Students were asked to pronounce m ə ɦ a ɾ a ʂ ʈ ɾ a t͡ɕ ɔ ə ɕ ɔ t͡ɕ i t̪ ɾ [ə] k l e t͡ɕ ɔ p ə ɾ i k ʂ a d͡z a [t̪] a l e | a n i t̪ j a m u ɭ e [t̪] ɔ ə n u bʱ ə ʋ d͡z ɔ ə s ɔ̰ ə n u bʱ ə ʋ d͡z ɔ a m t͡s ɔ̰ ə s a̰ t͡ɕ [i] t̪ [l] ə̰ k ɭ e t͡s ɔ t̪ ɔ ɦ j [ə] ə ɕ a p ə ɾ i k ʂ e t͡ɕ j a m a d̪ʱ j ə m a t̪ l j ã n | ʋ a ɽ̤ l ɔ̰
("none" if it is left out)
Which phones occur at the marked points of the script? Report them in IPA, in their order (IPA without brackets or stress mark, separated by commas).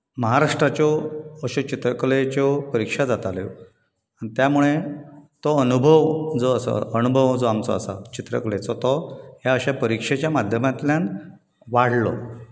ə, t̪, t̪, i, ɾ, a